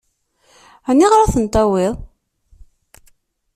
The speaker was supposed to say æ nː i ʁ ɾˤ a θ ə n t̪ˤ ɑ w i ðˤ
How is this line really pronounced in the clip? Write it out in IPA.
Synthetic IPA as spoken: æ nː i ʁ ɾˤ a θ ə n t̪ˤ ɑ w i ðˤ

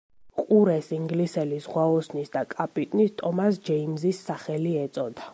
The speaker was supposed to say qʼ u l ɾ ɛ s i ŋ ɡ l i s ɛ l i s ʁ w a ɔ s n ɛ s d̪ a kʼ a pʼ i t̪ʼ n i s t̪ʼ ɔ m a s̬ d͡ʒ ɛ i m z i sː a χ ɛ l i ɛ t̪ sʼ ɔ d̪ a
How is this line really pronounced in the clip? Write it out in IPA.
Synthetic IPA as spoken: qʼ u ɾ ɛ s i ŋ ɡ l i s ɛ l i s ʁ w a ɔ s n i s d̪ a kʼ a pʼ i t̪ʼ n i s t̪ʼ ɔ m a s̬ d͡ʒ ɛ i m z i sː a χ ɛ l i ɛ t̪ sʼ ɔ d̪ a

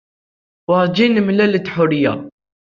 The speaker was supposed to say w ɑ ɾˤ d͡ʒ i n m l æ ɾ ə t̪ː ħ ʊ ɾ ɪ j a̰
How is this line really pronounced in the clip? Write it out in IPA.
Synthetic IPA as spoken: w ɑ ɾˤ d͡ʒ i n m l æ l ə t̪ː ħ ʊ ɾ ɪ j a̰

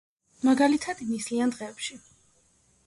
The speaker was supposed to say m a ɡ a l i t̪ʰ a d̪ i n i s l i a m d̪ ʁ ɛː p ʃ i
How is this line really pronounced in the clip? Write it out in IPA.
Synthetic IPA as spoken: m a ɡ a l i t̪ʰ a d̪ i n i s l i a n d̪ ʁ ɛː p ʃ i

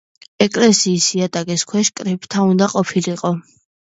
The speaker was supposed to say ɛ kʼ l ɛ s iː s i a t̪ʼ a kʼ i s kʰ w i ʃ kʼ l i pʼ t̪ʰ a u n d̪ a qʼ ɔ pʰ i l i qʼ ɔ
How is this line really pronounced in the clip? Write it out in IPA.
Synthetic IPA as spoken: ɛ kʼ l ɛ s iː s i a t̪ʼ a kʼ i s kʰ w ɛ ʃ kʼ ɾ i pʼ t̪ʰ a u n d̪ a qʼ ɔ pʰ i l i qʼ ɔ

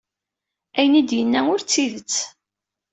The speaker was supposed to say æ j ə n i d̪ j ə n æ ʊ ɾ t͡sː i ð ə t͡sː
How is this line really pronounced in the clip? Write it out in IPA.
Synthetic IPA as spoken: æ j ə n i d̪ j ə nː æ ʊ ɾ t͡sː i ð ə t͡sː

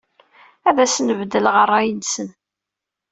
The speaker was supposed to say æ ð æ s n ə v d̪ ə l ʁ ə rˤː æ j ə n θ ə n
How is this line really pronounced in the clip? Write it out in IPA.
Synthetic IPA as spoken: æ ð æ s n ə v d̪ ə l ʁ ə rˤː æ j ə n s ə n

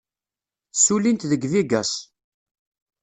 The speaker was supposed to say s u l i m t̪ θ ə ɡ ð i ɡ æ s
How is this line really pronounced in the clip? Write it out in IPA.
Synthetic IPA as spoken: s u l i n t̪ ð ə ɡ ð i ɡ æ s

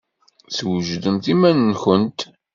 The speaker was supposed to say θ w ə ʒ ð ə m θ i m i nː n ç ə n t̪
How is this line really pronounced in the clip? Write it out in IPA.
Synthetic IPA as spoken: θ w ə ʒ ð ə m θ i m æ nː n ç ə n t̪

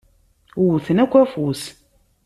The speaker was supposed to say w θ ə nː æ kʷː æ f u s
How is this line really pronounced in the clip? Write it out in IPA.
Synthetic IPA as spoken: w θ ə n æ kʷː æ f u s

